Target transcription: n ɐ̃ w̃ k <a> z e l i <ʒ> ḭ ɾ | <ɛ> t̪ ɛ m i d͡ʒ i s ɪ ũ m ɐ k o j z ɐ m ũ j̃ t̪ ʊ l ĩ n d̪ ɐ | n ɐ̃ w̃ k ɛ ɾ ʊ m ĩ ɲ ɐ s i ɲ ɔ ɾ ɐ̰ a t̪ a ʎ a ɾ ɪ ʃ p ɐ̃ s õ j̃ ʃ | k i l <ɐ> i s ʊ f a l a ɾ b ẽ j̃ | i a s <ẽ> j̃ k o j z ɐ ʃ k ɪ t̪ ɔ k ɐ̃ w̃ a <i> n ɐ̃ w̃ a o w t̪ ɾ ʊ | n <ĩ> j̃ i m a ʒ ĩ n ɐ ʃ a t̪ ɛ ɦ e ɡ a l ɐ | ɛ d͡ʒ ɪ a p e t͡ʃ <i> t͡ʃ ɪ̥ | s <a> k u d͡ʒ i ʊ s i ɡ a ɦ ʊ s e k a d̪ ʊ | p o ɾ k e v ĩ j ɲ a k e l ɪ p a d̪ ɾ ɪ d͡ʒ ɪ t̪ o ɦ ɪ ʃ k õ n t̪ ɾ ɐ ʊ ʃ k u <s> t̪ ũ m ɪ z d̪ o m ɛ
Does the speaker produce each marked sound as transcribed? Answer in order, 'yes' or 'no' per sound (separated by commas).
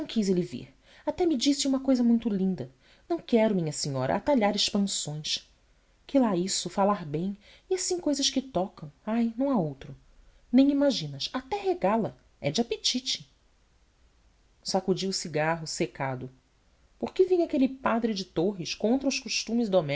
no, no, no, no, no, no, no, yes, yes, no